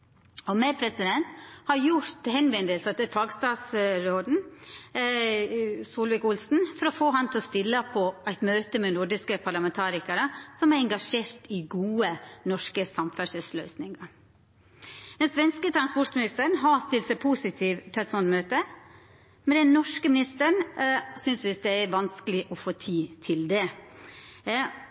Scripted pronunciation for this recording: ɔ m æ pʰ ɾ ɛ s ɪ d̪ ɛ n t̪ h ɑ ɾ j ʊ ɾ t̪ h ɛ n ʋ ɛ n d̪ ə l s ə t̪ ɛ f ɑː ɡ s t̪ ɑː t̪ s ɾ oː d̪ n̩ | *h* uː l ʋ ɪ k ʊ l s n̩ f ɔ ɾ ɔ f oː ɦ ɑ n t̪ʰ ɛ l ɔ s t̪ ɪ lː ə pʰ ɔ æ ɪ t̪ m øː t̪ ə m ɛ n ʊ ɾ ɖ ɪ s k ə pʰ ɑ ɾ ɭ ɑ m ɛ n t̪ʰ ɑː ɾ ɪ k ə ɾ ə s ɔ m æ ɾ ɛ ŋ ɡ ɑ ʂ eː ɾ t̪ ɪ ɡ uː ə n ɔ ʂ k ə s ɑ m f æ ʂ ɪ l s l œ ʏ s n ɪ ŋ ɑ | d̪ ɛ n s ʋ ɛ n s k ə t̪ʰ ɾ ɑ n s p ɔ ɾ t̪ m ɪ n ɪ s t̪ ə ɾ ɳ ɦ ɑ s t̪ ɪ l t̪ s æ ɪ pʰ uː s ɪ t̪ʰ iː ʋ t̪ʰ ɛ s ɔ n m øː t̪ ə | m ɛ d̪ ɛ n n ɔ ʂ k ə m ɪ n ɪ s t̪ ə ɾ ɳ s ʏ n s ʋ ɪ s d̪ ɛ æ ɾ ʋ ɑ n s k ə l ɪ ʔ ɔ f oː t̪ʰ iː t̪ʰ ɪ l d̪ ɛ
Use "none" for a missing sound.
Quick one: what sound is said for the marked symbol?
s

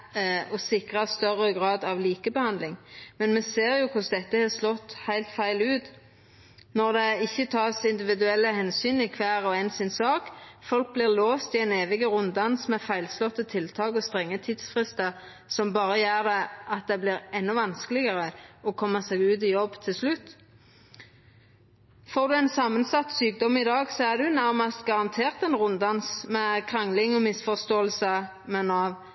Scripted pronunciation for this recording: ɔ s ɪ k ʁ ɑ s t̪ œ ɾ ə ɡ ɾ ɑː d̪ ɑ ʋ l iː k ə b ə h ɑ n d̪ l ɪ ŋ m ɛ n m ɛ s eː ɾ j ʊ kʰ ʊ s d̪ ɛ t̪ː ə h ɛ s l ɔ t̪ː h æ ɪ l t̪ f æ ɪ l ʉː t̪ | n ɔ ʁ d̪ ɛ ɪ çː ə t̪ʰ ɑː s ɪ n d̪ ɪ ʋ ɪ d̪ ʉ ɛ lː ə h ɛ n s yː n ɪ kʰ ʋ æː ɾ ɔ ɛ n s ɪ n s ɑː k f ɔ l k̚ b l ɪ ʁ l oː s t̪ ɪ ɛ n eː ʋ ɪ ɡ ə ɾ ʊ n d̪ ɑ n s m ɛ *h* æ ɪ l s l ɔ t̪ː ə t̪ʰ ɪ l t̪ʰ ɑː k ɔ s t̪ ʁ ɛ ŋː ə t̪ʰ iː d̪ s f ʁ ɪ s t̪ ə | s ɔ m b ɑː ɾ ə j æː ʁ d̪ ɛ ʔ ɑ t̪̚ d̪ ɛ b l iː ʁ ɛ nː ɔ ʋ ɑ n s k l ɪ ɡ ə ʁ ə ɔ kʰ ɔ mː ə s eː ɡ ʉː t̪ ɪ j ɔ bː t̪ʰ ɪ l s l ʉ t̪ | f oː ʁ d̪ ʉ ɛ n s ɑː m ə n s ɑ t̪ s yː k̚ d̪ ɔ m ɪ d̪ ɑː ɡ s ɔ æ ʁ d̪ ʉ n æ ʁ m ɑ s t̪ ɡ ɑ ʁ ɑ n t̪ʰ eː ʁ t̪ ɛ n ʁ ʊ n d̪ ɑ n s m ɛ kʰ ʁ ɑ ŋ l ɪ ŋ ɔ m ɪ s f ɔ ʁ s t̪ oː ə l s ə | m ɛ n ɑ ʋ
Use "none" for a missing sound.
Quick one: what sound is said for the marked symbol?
f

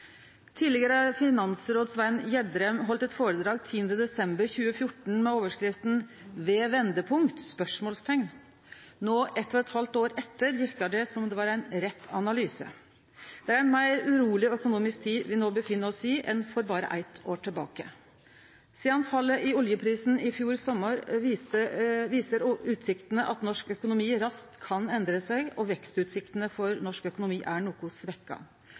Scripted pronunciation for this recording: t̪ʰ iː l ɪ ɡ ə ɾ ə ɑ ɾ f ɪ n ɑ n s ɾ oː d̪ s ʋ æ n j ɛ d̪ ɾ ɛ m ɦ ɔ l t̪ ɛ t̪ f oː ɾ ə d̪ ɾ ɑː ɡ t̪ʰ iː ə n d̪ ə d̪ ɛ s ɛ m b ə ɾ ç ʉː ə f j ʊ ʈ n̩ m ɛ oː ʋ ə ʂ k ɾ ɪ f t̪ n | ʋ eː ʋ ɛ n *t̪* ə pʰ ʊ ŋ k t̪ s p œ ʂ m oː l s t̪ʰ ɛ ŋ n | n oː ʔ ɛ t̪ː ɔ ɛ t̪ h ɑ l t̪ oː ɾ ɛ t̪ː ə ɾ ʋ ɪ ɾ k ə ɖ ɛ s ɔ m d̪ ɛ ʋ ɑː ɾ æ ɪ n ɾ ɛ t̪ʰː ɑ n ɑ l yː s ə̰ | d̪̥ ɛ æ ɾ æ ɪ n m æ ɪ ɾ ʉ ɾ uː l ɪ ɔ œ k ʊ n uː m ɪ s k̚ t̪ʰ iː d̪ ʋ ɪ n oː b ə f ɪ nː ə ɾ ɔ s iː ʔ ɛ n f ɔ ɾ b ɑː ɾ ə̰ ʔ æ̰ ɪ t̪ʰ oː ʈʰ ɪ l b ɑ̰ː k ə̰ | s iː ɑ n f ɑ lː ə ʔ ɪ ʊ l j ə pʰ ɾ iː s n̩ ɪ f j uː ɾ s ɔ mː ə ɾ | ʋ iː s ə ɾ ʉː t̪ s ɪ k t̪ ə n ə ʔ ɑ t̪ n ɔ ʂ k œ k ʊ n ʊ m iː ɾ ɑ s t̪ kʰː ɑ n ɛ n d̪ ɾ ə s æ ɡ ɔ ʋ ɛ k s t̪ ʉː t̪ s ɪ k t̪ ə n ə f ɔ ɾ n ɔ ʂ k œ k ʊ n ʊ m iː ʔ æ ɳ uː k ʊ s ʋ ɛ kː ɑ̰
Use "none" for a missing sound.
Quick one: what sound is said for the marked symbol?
d̪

